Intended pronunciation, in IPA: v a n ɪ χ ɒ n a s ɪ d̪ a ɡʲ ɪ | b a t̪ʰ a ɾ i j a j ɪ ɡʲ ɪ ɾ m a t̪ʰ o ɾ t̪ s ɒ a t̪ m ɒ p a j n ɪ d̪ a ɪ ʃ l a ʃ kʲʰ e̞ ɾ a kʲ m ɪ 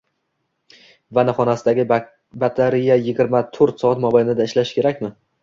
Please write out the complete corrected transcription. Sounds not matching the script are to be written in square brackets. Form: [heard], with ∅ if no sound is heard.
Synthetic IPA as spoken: v a n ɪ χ ɒ n a s ɪ d̪ a ɡʲ ɪ | b a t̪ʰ a ɾ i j a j ɪ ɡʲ ɪ ɾ m a t̪ʰ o ɾ t̪ s ɒ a t̪ m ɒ [b] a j n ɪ d̪ a ɪ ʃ l a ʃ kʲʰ e̞ ɾ a kʲ m ɪ